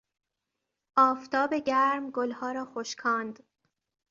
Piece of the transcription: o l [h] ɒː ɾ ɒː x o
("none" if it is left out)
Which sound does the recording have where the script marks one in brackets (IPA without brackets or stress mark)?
h